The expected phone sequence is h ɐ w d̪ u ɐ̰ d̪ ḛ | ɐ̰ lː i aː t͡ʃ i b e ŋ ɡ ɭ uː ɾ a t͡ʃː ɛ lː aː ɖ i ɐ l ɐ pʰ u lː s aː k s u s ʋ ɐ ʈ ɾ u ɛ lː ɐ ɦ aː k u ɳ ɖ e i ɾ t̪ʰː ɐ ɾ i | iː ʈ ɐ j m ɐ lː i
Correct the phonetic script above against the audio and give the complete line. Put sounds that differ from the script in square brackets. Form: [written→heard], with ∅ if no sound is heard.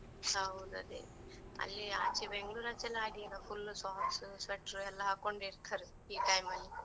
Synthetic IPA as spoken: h ɐ w d̪ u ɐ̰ d̪ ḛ | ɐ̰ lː i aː t͡ʃ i b e ŋ ɡ ɭ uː ɾ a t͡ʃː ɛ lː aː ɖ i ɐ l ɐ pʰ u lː s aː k s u s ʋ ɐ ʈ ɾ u ɛ lː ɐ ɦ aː k [u→o] ɳ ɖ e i ɾ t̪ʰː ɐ ɾ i | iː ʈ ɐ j m ɐ lː i